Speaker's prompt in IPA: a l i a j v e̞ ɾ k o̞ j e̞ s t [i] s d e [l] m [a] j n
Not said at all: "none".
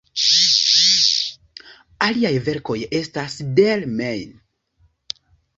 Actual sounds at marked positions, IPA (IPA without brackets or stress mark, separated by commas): a, l, e